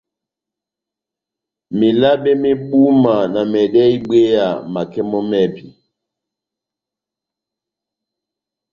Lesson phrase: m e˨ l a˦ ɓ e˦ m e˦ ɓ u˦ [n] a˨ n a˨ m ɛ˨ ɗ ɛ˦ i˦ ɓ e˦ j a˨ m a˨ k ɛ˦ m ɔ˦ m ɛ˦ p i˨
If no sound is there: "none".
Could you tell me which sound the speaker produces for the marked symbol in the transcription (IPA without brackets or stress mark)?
m